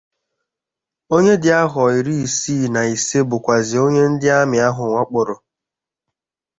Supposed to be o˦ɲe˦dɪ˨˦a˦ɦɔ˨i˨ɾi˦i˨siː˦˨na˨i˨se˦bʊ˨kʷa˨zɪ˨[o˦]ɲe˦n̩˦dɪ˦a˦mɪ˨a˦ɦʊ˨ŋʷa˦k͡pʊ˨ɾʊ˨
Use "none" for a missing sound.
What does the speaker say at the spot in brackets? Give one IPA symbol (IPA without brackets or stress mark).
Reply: o˦